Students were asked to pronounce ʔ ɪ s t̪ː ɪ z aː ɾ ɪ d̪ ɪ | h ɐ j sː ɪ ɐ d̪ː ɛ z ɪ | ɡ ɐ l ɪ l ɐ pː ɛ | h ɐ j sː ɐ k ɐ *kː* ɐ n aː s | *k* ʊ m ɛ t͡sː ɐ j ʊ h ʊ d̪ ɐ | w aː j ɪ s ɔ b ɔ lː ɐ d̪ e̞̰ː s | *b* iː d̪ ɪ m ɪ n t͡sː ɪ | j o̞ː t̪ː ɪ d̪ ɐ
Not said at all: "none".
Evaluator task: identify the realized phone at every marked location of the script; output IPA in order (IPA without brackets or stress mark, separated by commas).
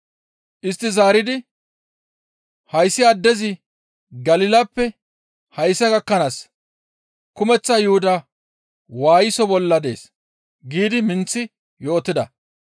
kː, k, ɡ